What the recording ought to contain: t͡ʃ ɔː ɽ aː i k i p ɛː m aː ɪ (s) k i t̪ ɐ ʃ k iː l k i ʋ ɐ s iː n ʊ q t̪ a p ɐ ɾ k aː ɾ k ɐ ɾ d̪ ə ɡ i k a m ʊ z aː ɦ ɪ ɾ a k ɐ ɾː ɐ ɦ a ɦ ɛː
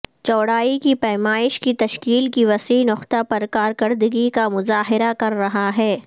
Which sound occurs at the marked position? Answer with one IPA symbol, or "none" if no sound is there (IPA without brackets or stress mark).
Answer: ʃ